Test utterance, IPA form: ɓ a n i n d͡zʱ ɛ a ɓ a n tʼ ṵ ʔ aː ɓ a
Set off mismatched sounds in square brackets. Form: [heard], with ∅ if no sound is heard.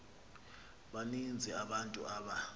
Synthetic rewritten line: ɓ a n i n d͡zʱ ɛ a ɓ a n tʼ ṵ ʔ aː ɓ a